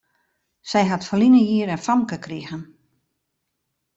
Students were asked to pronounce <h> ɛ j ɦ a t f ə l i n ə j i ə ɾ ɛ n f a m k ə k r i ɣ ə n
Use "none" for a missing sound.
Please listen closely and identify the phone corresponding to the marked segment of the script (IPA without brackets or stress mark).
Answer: s